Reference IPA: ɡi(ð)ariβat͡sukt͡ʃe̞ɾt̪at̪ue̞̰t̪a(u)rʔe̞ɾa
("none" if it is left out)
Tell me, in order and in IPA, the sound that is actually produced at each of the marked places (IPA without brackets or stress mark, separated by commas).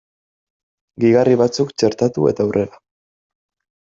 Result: ɣ, w